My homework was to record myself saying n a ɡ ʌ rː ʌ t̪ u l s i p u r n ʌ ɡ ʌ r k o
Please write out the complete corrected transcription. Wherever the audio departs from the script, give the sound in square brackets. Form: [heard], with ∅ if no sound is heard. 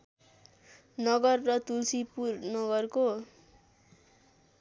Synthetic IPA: n [ʌ] ɡ ʌ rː ʌ t̪ u l s i p u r n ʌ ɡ ʌ r k o